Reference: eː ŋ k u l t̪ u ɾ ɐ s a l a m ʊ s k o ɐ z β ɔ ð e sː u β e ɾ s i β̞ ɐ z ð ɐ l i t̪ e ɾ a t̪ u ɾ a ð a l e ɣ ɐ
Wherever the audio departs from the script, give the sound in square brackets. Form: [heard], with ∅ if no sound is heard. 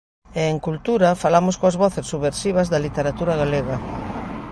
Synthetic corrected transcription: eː ŋ k u l t̪ u ɾ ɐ [f] a l a m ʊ s k o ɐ z β ɔ [θ] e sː u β e ɾ s i β̞ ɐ z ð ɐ l i t̪ e ɾ a t̪ u ɾ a [ɣ] a l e ɣ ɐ